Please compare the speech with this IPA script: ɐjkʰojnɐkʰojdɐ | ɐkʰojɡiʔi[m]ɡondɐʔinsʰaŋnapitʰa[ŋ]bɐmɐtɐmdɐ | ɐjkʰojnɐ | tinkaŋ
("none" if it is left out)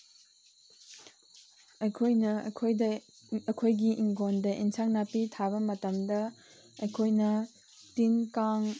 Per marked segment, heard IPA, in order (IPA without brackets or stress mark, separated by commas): ŋ, none